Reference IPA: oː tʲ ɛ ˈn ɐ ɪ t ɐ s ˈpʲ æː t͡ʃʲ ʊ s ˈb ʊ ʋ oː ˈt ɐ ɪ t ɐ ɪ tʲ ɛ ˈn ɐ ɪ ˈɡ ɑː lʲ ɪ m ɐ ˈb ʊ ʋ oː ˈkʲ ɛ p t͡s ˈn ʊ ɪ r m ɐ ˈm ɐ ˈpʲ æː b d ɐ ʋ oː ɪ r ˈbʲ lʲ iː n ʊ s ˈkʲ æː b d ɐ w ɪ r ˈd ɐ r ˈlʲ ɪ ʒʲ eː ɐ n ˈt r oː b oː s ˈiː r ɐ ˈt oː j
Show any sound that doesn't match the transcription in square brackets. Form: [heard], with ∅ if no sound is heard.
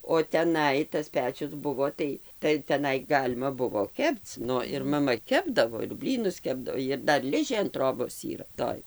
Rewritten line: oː tʲ ɛ ˈn ɐ ɪ t ɐ s ˈpʲ æː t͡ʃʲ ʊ s ˈb ʊ ʋ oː ˈt ɐ ɪ t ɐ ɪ tʲ ɛ ˈn ɐ ɪ ˈɡ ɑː lʲ ɪ m ɐ ˈb ʊ ʋ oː ˈkʲ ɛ p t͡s ˈn ʊ ɪ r m ɐ ˈm ɐ [ˈkʲ] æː b d ɐ ʋ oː ɪ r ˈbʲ lʲ iː n ʊ s ˈkʲ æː b d ɐ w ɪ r ˈd ɐ r ˈlʲ ɪ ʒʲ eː ɐ n ˈt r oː b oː s ˈiː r ɐ ˈt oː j

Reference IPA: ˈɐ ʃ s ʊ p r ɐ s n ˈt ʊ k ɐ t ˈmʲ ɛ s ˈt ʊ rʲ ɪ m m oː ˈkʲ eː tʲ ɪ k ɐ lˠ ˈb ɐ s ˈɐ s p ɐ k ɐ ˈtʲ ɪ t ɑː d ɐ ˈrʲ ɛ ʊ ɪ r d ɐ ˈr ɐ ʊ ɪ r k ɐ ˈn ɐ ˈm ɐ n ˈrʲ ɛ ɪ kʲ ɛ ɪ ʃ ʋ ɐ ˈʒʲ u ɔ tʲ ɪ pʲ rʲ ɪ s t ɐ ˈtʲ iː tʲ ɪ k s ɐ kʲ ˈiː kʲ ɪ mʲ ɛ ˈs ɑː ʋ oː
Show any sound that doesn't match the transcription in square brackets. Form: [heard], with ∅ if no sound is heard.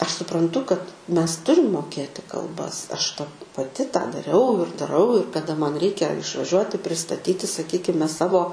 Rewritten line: ˈɐ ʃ s ʊ p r ɐ [∅] n ˈt ʊ k ɐ t ˈmʲ ɛ s ˈt ʊ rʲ ɪ m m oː ˈkʲ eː tʲ ɪ k ɐ lˠ ˈb ɐ s ˈɐ [ʃ] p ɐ [p] ɐ ˈtʲ ɪ t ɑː d ɐ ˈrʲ ɛ ʊ ɪ r d ɐ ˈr ɐ ʊ ɪ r k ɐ [ˈd] ɐ ˈm ɐ n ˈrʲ ɛ ɪ kʲ ɛ ɪ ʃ ʋ ɐ ˈʒʲ u ɔ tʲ ɪ pʲ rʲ ɪ s t ɐ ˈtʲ iː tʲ ɪ [∅] s ɐ kʲ ˈiː kʲ ɪ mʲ ɛ ˈs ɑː ʋ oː

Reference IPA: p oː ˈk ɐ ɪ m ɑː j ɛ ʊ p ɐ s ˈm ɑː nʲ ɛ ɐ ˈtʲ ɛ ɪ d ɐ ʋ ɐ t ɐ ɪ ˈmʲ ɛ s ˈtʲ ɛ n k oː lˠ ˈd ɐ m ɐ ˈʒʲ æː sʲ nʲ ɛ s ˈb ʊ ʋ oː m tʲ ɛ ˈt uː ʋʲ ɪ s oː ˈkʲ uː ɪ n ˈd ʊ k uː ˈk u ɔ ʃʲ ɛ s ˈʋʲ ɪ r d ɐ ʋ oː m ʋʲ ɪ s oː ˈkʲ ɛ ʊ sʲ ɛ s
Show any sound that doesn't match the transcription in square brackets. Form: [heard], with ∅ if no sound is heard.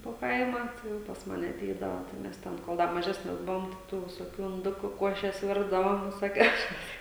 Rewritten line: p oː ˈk ɐ ɪ m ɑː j ɛ ʊ p ɐ s ˈm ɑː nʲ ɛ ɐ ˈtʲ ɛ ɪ d ɐ ʋ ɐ t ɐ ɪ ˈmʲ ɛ s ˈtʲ ɛ n k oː lˠ ˈd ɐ m ɐ ˈʒʲ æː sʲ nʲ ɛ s ˈb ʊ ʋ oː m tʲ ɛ ˈt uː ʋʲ ɪ s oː ˈkʲ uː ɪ n ˈd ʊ k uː ˈk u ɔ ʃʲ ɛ s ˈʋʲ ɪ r d ɐ ʋ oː m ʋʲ ɪ s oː ˈkʲ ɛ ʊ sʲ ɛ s

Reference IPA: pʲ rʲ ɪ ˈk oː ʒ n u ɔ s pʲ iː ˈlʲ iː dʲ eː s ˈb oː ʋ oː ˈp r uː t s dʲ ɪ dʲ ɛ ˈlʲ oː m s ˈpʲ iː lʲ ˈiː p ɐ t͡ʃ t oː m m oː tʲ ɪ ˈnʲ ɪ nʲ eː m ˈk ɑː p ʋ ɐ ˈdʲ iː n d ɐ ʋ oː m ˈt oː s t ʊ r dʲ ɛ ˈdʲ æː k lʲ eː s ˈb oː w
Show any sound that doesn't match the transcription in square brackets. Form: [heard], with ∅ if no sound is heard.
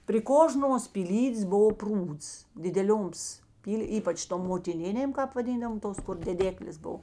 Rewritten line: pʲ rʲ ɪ ˈk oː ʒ n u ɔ s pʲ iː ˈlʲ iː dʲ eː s ˈb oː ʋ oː ˈp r uː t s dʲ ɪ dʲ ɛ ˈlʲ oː m s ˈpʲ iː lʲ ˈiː p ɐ t͡ʃ t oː m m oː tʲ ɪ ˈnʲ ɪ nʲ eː m ˈk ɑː p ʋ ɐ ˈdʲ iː n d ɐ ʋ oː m ˈt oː s [k] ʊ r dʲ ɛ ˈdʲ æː k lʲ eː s ˈb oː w

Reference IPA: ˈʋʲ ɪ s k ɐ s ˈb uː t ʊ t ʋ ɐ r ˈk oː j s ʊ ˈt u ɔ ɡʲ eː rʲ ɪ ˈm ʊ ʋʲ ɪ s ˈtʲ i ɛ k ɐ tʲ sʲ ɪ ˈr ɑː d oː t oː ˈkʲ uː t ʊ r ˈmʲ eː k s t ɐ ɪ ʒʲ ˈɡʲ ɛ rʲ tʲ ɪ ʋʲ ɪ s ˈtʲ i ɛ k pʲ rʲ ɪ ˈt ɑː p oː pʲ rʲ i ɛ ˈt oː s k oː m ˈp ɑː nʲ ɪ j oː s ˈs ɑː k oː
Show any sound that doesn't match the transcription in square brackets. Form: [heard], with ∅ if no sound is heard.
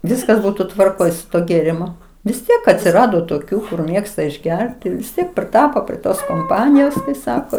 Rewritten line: ˈʋʲ ɪ s k ɐ s ˈb uː t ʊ t ʋ ɐ r ˈk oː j s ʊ ˈt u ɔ ɡʲ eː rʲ ɪ ˈm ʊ ʋʲ ɪ s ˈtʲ i ɛ k ɐ tʲ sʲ ɪ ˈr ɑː d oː t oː ˈkʲ uː [k] ʊ r ˈmʲ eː k s t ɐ ɪ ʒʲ ˈɡʲ ɛ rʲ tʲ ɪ ʋʲ ɪ s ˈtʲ i ɛ k pʲ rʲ ɪ ˈt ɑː p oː pʲ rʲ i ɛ ˈt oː s k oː m ˈp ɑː nʲ ɪ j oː s ˈs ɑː k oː

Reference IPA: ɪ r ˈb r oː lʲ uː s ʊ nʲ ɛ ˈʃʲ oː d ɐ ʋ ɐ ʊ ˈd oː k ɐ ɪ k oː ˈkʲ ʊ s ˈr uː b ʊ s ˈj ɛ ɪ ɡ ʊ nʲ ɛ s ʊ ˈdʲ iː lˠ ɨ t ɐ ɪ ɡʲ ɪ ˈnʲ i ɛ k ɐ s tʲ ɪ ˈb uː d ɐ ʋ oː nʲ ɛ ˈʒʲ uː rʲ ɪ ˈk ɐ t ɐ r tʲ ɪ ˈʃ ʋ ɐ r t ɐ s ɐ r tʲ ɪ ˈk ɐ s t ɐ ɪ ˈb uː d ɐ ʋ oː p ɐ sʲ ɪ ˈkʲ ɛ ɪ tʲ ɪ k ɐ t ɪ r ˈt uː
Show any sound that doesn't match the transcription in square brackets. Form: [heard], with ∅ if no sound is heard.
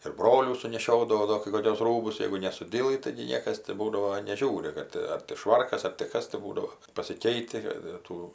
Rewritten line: ɪ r ˈb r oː lʲ uː s ʊ nʲ ɛ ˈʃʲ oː d ɐ ʋ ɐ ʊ ˈd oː k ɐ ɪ k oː ˈkʲ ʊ s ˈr uː b ʊ s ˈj ɛ ɪ ɡ ʊ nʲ ɛ s ʊ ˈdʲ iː lˠ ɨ t ɐ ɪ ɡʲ ɪ ˈnʲ i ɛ k ɐ s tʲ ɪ ˈb uː d ɐ ʋ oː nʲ ɛ ˈʒʲ uː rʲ ɪ ˈk ɐ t ɐ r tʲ ɪ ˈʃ ʋ ɐ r [k] ɐ s ɐ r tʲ ɪ ˈk ɐ s t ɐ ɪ ˈb uː d ɐ ʋ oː p ɐ sʲ ɪ ˈkʲ ɛ ɪ tʲ ɪ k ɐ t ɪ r ˈt uː

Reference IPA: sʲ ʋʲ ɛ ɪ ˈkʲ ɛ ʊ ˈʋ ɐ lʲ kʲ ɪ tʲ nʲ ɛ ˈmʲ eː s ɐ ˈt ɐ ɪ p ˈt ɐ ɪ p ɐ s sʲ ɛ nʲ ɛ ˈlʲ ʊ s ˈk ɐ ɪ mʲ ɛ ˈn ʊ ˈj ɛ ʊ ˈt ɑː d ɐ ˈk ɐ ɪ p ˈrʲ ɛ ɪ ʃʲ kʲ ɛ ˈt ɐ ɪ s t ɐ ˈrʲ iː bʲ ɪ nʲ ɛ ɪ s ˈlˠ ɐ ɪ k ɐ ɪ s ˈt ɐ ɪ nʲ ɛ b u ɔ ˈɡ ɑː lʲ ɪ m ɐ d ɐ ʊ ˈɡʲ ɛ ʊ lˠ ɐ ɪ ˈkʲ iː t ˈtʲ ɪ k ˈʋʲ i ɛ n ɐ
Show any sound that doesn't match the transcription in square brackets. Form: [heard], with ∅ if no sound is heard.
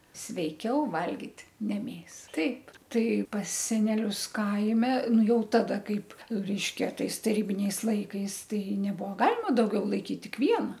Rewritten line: sʲ ʋʲ ɛ ɪ ˈkʲ ɛ ʊ ˈʋ ɐ lʲ [ɡʲ] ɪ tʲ nʲ ɛ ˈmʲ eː s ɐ ˈt ɐ ɪ p ˈt ɐ ɪ p ɐ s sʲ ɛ nʲ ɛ ˈlʲ ʊ s ˈk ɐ ɪ mʲ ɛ ˈn ʊ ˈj ɛ ʊ ˈt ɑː d ɐ ˈk ɐ ɪ p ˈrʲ ɛ ɪ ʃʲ kʲ ɛ ˈt ɐ ɪ s t ɐ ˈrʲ iː bʲ ɪ nʲ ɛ ɪ s ˈlˠ ɐ ɪ k ɐ ɪ s ˈt ɐ ɪ nʲ ɛ b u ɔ ˈɡ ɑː lʲ ɪ m ɐ d ɐ ʊ ˈɡʲ ɛ ʊ lˠ ɐ ɪ ˈkʲ iː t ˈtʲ ɪ k ˈʋʲ i ɛ n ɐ

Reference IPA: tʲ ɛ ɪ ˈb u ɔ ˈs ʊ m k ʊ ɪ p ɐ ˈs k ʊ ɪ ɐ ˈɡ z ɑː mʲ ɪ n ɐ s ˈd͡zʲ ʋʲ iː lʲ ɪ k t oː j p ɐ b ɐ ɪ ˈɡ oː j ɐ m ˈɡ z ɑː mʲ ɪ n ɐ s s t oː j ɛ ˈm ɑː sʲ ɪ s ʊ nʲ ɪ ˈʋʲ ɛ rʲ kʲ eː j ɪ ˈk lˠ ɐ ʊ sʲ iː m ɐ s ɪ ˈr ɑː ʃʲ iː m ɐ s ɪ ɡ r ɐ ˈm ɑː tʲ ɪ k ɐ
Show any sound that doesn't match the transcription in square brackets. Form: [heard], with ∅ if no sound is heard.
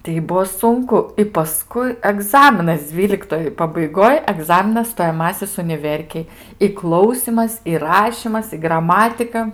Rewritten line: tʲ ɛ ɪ ˈb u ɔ ˈs ʊ [ŋ] k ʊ ɪ p ɐ ˈs k ʊ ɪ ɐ ˈɡ z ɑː mʲ ɪ n ɐ s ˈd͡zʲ ʋʲ iː lʲ ɪ k t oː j p ɐ b ɐ ɪ ˈɡ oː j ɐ [∅] ˈɡ z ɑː mʲ ɪ n ɐ s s t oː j ɛ ˈm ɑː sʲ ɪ s ʊ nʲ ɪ ˈʋʲ ɛ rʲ kʲ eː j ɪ ˈk lˠ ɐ ʊ sʲ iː m ɐ s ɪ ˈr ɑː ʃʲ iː m ɐ s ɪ ɡ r ɐ ˈm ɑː tʲ ɪ k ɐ

